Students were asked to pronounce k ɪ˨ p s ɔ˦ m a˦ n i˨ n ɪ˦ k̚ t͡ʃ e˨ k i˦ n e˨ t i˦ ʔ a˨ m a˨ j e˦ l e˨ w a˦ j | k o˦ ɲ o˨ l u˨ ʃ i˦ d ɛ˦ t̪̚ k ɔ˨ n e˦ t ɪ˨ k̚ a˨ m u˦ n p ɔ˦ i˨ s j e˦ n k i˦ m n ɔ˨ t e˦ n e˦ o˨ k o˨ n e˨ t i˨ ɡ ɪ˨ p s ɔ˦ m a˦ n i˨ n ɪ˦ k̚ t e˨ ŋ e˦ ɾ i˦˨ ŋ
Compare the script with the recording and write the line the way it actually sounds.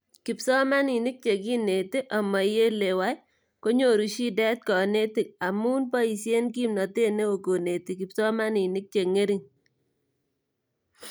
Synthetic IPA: k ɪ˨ p s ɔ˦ m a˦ n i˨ n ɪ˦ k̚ t͡ʃ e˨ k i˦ n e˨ t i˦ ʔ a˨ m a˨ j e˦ l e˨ w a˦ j | k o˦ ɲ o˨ ɾ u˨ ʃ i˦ d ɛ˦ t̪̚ k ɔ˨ n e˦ t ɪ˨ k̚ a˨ m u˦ n p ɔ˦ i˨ s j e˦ n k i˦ m n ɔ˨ t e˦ n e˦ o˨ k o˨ n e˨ t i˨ k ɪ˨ p s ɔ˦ m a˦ n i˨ n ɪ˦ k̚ t͡ʃ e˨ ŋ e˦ ɾ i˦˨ ŋ

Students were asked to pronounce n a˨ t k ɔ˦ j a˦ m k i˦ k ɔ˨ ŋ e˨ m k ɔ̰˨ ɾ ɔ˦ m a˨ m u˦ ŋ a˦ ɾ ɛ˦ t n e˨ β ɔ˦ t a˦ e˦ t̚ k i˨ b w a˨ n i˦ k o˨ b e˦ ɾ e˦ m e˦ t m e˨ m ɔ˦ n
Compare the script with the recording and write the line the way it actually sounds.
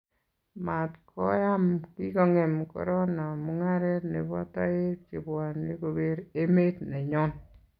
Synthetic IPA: m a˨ t k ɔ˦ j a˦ m k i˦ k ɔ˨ ŋ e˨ m k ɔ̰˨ ɾ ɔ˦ n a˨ m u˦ ŋ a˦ ɾ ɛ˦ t n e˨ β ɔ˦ t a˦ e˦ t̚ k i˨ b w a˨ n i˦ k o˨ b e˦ ɾ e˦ m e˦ t n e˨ ɲ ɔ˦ n

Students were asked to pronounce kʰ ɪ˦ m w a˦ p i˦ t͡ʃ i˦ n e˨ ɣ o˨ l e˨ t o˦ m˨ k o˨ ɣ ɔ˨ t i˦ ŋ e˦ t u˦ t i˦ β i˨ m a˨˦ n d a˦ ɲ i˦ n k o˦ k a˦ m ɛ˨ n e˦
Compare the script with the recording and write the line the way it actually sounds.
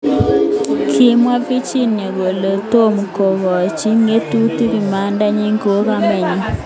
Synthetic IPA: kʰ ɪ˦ m w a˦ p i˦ t͡ʃ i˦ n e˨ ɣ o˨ l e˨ t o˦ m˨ k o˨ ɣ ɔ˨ t͡ʃ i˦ ŋ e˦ t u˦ t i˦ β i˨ m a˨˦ n d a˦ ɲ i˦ ŋ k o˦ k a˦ m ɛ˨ ɲ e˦

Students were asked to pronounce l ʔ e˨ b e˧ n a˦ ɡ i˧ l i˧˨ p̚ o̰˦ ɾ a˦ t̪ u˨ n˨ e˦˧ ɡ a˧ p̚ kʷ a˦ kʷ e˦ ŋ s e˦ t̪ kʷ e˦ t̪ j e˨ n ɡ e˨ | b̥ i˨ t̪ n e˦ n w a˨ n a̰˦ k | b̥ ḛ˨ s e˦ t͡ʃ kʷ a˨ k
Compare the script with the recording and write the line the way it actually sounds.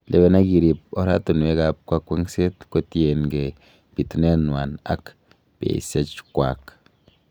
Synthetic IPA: l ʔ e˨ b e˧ n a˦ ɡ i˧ ɾ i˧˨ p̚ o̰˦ ɾ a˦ t̪ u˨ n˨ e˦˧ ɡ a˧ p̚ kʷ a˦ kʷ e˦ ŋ s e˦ t̪ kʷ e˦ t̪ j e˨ n ɡ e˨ | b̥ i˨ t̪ n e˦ n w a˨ n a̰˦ k | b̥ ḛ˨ s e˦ t͡ʃ kʷ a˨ k

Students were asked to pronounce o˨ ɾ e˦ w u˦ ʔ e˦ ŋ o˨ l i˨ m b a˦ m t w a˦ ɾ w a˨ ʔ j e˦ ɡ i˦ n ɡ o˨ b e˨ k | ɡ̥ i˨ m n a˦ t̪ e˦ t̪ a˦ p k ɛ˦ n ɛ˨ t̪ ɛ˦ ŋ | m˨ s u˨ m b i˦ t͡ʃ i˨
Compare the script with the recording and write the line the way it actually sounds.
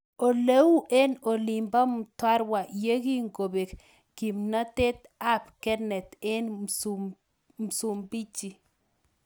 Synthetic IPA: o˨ l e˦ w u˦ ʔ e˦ n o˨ l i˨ m b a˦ m t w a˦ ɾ w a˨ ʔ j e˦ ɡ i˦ ŋ ɡ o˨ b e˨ k | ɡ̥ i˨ m n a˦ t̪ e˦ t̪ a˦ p k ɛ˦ n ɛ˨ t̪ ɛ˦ n | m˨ s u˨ m b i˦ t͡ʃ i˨

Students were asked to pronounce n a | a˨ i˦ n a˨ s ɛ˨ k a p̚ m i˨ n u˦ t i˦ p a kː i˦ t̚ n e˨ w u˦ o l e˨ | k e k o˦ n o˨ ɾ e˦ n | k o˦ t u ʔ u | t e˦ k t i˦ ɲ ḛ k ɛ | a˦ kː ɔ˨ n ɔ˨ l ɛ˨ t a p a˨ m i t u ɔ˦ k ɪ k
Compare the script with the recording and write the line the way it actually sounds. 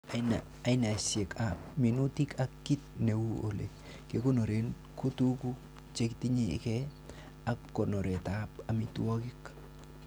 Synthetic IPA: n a | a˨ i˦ n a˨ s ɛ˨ k a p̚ m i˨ n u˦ t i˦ k a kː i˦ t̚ n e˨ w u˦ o l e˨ | k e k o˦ n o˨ ɾ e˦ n | k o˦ t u k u | t͡ʃ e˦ k t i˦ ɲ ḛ k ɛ | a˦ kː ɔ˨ n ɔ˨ ɾ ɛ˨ t a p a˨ m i t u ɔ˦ k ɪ k

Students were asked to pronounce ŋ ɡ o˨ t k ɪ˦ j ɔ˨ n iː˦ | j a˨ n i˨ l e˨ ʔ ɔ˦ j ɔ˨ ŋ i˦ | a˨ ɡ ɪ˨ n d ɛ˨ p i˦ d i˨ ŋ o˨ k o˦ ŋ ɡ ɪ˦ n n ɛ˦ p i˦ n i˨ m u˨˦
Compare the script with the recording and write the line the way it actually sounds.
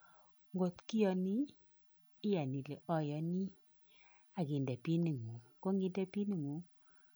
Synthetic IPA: ŋ ɡ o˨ t k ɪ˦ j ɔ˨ n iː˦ | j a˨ n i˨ l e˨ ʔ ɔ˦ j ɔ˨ n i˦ | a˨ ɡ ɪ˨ n d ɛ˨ p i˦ n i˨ ŋ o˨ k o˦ ŋ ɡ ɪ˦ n d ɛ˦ p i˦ n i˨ ŋ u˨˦

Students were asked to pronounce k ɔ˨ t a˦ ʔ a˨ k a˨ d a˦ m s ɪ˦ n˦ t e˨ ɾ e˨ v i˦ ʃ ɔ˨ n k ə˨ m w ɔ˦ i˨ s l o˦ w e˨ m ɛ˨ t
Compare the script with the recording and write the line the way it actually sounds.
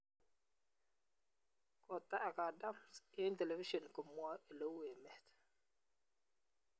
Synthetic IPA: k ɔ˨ t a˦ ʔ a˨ k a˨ d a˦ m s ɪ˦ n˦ t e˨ l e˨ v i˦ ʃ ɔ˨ n k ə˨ m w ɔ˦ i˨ l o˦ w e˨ m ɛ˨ t

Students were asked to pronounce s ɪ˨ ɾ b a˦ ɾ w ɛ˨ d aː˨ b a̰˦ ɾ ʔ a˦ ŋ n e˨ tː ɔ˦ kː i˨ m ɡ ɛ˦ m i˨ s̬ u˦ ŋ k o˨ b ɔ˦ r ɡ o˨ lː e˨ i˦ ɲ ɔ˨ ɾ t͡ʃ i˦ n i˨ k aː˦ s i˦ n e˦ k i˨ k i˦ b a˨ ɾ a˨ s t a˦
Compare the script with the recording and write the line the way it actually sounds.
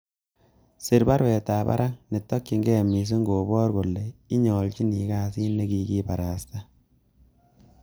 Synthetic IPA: s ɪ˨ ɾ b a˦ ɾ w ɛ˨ t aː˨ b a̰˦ ɾ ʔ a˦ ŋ n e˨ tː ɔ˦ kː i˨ ŋ ɡ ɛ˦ m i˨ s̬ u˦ ŋ ɡ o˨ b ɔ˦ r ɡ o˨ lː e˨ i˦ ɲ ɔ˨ l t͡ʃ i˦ n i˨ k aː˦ s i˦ n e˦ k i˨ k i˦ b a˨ ɾ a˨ s t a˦

